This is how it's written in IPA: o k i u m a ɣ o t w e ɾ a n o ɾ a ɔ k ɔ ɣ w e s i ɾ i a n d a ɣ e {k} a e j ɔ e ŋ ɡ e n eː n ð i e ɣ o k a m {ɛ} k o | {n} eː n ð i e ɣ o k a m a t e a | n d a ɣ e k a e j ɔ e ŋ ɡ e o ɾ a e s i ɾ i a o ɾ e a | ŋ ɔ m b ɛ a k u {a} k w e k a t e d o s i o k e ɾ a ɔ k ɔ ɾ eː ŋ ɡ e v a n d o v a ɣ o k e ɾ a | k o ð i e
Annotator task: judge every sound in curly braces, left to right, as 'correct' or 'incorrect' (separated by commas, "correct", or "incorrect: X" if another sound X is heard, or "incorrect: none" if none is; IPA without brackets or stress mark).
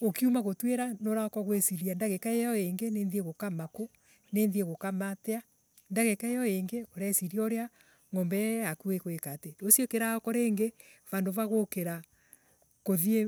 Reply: correct, incorrect: a, correct, incorrect: e